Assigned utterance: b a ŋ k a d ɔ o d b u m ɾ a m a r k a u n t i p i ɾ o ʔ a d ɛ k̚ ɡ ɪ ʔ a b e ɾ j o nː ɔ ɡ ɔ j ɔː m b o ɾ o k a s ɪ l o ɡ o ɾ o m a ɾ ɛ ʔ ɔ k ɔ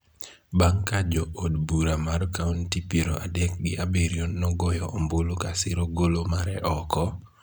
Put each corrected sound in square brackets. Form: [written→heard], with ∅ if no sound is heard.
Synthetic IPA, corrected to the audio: b a ŋ k a [d→d͡ʒ] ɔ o d b u [m→∅] ɾ a m a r k a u n t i p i ɾ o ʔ a d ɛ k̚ ɡ ɪ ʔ a b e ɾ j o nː ɔ ɡ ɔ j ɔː m b o [ɾ→l] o k a s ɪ [l→ɾ] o ɡ o [ɾ→l] o m a ɾ ɛ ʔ ɔ k ɔ